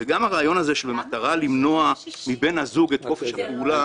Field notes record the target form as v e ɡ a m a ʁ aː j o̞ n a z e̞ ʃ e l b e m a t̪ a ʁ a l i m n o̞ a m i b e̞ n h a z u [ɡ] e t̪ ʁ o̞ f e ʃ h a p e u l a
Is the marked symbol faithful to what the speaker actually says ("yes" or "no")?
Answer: yes